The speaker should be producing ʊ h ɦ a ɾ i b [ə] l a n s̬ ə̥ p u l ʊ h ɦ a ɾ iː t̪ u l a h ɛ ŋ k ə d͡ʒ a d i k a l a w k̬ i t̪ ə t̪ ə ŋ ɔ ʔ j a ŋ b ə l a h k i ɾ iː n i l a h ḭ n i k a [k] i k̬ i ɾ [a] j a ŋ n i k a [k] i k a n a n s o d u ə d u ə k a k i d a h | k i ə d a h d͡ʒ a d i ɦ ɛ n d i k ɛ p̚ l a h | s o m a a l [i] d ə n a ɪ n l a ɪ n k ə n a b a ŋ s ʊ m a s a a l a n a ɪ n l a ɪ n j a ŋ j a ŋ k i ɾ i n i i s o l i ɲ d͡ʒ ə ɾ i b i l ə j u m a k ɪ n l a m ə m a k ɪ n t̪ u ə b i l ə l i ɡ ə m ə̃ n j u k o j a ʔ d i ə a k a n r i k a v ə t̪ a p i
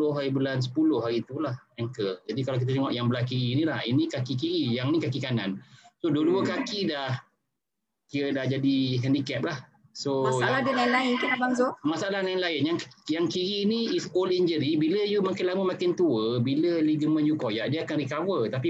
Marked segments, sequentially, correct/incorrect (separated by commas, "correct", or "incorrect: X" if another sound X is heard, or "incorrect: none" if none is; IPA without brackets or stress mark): correct, correct, incorrect: i, correct, incorrect: a